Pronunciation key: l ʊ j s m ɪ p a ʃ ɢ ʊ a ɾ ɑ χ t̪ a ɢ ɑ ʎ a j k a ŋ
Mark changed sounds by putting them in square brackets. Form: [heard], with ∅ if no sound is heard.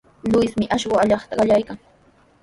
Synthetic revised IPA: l ʊ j s m ɪ [ʔ] a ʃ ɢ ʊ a [ʎ] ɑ χ t̪ a ɢ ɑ ʎ a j k a ŋ

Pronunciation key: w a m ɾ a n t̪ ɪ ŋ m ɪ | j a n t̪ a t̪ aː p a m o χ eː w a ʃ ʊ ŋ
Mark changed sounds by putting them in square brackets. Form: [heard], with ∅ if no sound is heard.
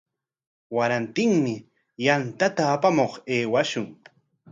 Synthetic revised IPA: w a [∅] ɾ a n t̪ ɪ ŋ m ɪ | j a n t̪ a t̪ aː p a m o χ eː w a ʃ ʊ ŋ

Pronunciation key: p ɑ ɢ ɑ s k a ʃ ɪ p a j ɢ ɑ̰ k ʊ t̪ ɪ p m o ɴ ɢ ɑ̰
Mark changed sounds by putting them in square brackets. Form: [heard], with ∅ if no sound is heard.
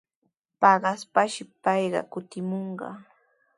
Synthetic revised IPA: p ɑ ɢ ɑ s [p] a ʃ ɪ p [ɑ] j ɢ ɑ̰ k ʊ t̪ ɪ [∅] m o ɴ ɢ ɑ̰

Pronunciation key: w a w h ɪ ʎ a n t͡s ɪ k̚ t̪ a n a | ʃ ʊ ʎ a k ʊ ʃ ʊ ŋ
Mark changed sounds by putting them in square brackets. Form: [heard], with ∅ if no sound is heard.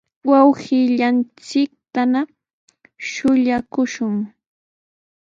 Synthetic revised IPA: w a w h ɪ ʎ a n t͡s ɪ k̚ t̪ a n a | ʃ ʊ ʎ a k ʊ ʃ ʊ ŋ

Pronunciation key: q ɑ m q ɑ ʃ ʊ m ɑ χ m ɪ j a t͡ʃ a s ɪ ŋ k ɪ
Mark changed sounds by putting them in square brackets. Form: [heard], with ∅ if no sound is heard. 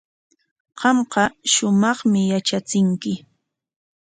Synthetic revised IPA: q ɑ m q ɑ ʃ ʊ m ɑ χ m ɪ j a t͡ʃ a [t͡s] ɪ ŋ k ɪ

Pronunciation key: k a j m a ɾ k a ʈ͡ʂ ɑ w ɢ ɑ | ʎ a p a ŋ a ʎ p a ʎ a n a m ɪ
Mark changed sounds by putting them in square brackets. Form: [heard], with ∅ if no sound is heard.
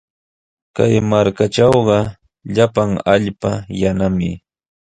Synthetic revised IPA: k a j m a ɾ k a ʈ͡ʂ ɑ w ɢ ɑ | ʎ a p a ŋ a ʎ p a [j] a n a m ɪ

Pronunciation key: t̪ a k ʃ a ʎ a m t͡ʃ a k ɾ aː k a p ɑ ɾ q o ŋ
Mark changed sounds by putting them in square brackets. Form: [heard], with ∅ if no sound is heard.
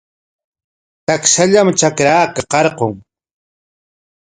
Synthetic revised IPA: t̪ a k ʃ a ʎ a m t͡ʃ a k ɾ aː k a [q] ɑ ɾ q o ŋ

